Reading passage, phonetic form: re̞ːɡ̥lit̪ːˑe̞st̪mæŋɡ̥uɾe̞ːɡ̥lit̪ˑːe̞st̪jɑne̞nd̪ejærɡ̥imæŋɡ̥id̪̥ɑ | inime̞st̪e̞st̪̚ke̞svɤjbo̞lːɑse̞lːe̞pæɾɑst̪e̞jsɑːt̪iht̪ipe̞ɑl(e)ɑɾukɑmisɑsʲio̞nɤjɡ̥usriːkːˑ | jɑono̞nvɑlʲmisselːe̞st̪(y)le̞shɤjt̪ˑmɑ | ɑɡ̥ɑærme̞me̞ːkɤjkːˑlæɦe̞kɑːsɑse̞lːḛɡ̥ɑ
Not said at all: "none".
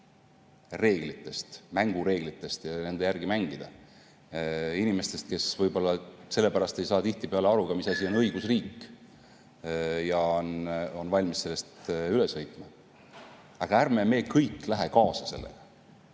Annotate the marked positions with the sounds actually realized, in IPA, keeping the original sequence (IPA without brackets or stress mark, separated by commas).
e, y